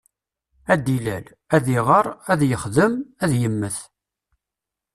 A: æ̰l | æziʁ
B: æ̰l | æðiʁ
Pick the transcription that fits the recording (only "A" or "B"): B